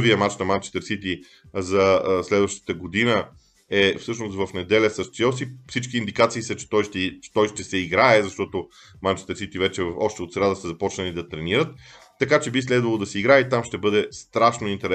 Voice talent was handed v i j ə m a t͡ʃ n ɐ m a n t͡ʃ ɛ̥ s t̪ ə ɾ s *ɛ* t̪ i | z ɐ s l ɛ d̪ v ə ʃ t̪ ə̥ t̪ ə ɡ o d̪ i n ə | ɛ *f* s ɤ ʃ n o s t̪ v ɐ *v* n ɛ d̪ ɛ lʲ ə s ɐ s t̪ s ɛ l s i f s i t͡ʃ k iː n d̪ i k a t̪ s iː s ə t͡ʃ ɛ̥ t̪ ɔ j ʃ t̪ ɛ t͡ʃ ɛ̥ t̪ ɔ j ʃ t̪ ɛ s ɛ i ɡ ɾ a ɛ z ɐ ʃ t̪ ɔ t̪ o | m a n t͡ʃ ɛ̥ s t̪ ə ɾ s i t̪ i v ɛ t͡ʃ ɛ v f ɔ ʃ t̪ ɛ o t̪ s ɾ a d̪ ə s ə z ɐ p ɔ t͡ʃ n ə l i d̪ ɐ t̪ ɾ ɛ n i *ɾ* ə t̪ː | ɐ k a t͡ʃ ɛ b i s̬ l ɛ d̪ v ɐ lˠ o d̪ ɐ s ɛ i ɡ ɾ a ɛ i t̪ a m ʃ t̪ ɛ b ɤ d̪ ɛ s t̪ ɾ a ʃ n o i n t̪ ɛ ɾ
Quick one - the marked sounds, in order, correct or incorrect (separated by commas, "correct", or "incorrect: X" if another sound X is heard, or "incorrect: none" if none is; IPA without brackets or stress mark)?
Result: incorrect: i, correct, incorrect: f, correct